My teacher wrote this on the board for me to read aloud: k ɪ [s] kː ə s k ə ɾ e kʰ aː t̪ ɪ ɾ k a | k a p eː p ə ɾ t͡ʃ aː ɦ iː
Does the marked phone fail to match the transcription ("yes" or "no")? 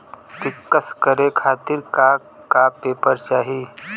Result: yes